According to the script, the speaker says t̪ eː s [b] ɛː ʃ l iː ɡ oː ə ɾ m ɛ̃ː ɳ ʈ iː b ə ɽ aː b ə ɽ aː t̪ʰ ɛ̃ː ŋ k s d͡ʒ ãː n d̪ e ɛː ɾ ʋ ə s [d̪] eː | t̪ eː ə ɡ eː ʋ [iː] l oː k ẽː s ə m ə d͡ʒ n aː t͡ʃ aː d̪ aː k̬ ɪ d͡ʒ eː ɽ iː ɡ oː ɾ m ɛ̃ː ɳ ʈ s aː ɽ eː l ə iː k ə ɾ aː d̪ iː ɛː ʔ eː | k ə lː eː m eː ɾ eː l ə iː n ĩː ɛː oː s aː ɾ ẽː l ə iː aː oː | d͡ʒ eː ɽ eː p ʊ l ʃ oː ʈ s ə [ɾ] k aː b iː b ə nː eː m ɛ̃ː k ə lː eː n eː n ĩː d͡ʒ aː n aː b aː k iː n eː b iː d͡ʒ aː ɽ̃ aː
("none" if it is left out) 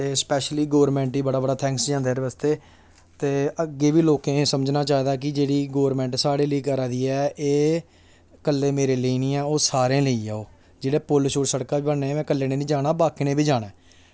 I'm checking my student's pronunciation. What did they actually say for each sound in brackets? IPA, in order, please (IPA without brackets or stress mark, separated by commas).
p, t̪, iː, ɽ